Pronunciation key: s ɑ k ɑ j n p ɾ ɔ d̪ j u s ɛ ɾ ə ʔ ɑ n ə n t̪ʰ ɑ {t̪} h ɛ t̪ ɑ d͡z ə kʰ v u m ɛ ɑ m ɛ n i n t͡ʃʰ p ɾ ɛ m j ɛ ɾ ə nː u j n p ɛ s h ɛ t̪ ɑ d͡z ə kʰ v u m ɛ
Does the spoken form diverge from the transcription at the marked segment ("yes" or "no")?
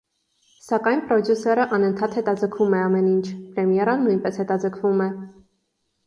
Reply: no